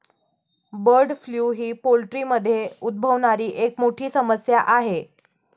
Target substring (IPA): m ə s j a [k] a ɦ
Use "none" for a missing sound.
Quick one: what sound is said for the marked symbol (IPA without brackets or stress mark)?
ʔ